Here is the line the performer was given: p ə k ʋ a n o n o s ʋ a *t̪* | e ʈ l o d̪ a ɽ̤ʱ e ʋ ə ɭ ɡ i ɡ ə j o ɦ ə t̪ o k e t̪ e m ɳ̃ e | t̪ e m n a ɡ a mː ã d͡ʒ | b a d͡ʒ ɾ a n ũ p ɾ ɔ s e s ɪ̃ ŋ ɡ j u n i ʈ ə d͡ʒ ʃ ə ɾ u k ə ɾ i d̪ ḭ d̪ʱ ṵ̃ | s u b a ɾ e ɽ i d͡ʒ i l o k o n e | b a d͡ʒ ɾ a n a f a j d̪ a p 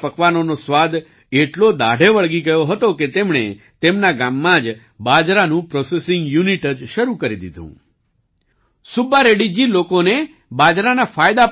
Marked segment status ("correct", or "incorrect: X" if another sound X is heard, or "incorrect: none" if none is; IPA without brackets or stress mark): incorrect: d̪